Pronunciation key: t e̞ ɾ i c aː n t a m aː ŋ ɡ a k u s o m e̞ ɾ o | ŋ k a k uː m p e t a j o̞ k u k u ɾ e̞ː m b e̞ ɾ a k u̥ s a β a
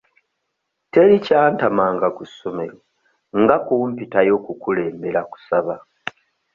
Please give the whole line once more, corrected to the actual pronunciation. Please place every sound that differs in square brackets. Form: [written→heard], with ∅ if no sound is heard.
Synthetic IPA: t e̞ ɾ i c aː n t a m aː ŋ ɡ a k u s o m e̞ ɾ o | ŋ [k→ɡ] a k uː m p [e→i] t a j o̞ k u k u [ɾ→l] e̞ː m b e̞ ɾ a k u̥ s a β a